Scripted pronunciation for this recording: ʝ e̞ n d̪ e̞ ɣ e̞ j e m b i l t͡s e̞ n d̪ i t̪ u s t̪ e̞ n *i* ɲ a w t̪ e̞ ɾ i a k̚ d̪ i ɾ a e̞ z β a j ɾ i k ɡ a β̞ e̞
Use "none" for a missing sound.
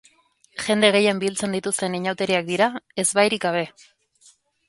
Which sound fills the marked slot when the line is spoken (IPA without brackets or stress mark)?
i